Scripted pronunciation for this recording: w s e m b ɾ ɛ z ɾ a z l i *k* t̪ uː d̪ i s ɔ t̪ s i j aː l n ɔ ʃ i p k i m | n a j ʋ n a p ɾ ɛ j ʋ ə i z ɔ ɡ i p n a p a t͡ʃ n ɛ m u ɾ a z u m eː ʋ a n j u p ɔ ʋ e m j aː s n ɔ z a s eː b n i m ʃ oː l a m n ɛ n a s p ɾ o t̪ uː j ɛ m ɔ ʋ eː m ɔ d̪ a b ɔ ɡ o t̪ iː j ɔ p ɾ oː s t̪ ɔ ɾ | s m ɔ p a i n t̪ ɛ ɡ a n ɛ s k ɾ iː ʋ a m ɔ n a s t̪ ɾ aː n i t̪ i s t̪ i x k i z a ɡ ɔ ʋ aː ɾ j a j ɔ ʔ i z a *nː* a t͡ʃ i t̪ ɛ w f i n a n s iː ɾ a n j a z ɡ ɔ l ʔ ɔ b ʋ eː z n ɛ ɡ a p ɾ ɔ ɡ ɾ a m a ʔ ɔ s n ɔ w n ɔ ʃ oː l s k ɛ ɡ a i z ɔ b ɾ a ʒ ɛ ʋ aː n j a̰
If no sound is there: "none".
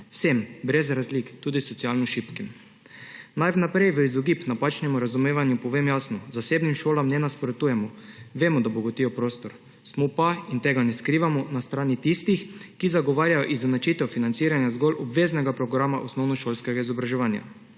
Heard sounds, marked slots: k, n

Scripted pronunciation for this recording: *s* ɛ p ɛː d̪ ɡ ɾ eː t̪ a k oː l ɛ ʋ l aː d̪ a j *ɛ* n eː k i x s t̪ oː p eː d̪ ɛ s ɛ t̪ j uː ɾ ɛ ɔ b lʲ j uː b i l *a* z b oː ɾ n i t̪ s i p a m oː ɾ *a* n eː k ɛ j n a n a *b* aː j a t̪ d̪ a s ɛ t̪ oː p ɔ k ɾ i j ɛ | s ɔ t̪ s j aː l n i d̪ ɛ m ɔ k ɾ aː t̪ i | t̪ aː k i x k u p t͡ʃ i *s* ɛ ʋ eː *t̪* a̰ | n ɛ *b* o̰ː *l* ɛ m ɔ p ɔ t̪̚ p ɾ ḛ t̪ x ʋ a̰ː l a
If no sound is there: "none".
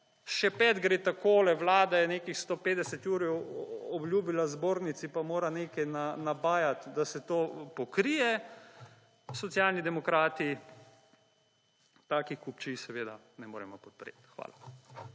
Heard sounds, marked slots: ʃ, ɛ, a, a, b, s, d̪, m, ɾ

